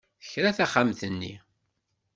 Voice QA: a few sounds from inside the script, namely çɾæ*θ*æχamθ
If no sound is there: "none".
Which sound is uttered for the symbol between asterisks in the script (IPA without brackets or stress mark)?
θ